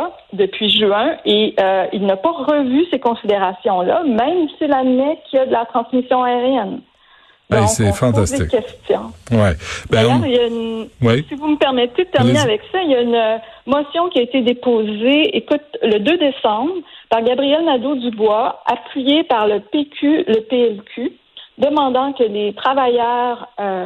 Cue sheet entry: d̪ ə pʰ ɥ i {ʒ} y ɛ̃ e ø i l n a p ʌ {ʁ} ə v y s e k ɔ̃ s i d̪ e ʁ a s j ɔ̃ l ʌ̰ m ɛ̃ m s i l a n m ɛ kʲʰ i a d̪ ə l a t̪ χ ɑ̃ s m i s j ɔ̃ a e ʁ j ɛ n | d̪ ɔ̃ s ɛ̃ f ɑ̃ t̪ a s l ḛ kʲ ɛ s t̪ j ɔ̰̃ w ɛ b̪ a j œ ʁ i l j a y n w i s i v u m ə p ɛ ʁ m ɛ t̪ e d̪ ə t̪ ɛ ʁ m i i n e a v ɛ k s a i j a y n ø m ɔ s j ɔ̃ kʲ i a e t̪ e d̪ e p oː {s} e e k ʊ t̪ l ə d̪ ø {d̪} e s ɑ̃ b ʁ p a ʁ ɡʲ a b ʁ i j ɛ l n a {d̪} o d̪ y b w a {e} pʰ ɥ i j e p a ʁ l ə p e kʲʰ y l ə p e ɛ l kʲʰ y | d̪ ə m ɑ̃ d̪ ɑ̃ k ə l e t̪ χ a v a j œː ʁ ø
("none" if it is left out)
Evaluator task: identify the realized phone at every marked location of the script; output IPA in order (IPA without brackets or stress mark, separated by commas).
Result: ʒ, ʁ, z, d̪, d̪, a